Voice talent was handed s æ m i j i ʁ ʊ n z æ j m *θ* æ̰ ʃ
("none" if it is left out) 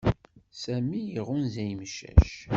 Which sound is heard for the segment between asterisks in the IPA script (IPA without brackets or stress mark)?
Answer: ʃ